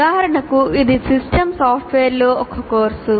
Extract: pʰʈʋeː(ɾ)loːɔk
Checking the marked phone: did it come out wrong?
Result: no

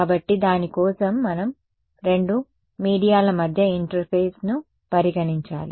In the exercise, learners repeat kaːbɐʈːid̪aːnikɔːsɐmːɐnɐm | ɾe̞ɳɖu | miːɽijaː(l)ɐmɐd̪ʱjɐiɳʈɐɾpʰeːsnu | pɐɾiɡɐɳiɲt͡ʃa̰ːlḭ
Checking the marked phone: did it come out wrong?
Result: no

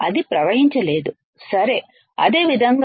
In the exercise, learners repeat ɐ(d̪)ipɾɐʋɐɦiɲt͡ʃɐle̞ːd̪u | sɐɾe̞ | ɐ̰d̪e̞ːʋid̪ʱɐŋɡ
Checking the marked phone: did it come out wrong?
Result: no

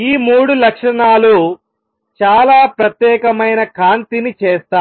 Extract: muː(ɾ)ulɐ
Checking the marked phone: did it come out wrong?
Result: yes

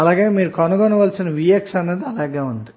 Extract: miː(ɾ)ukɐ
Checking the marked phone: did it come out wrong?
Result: no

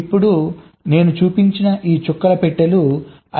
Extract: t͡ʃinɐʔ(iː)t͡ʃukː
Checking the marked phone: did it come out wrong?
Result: no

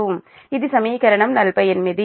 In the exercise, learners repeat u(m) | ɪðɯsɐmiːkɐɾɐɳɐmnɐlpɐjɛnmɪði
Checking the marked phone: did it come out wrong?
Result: no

